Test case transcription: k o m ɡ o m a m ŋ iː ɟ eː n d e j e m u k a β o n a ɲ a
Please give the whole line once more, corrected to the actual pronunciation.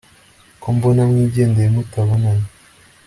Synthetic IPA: k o m b o n a m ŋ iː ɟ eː n d e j e m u t a β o n a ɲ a